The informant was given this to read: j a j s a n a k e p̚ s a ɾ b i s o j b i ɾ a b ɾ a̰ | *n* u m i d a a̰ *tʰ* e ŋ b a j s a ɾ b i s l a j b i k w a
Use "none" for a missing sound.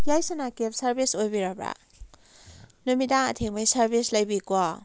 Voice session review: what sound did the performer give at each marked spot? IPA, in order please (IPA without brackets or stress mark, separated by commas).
n, tʰ